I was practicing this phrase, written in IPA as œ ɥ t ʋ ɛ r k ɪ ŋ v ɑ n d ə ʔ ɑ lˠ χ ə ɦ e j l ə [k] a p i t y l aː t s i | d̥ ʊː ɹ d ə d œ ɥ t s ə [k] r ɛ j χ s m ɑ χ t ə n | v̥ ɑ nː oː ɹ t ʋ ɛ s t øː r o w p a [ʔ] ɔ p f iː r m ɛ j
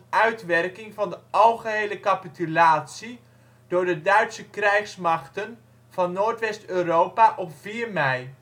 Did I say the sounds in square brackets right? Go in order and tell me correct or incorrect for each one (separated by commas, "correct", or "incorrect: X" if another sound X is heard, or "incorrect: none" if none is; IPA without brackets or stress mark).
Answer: correct, correct, correct